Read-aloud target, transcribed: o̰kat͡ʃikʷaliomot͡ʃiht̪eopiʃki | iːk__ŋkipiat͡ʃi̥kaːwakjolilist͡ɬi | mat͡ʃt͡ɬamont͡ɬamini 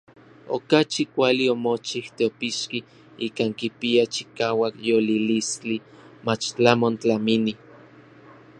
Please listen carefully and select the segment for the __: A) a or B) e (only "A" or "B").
A